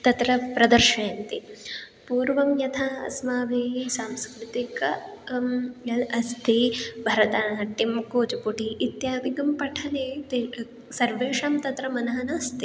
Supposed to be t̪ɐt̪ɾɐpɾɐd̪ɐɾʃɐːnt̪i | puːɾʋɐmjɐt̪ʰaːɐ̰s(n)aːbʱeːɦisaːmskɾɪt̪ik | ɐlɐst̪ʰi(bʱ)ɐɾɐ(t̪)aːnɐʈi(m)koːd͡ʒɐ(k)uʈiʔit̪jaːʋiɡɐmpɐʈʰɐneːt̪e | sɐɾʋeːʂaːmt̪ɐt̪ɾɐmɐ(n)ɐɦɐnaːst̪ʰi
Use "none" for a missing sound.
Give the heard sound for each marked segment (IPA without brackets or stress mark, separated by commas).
m, bʱ, t̪, m, p, n